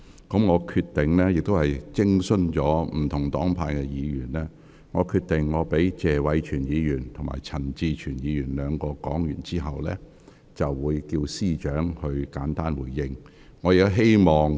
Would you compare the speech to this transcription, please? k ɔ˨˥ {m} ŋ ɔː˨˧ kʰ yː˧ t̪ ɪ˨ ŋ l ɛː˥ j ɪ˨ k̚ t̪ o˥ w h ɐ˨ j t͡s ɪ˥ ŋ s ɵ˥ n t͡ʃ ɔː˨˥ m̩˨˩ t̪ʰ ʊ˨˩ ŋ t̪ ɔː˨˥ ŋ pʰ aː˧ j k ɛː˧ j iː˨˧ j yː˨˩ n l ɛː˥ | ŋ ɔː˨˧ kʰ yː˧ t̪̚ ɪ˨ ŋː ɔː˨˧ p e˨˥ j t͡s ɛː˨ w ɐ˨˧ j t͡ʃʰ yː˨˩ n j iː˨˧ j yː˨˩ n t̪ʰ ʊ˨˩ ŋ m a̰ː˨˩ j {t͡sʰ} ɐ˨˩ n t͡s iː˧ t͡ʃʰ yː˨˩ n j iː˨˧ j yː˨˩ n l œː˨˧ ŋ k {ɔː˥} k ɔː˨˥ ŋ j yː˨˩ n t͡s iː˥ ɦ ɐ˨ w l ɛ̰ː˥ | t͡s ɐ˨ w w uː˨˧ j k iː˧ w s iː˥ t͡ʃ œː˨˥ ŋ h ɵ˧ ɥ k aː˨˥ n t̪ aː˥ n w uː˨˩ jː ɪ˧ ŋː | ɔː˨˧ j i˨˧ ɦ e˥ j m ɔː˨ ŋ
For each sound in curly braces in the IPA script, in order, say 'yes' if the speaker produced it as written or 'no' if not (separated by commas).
yes, yes, no